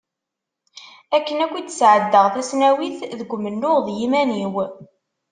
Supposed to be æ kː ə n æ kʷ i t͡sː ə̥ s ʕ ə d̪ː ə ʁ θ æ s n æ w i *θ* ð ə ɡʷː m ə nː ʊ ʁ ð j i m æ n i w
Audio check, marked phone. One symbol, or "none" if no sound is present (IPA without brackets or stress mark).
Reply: θ